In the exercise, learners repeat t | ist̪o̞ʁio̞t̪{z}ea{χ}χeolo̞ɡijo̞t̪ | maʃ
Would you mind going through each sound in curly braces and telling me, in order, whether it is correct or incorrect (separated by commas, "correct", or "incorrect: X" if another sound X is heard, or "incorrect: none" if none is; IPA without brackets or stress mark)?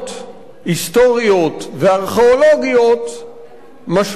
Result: incorrect: v, incorrect: ʁ